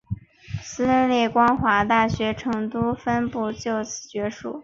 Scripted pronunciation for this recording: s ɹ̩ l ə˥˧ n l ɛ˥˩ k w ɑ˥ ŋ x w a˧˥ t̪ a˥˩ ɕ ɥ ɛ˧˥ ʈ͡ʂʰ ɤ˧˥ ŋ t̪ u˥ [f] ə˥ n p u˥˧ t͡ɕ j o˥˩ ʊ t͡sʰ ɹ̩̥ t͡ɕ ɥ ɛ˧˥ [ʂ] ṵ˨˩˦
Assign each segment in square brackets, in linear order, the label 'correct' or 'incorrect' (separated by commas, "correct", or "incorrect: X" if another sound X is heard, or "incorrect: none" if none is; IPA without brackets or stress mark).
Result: correct, correct